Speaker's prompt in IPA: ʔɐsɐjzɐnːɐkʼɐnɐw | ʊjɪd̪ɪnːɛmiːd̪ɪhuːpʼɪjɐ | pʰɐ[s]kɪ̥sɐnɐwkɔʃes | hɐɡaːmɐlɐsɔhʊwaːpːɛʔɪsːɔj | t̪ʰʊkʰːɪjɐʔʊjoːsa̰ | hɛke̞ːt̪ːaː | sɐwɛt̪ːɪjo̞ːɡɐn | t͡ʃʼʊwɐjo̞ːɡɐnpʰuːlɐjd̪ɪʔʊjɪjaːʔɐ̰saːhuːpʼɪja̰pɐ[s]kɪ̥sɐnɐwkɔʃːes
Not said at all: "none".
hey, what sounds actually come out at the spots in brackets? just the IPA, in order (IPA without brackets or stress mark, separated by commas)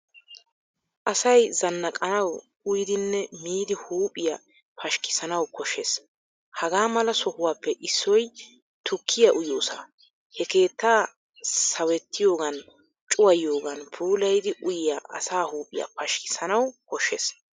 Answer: ʃ, ʃ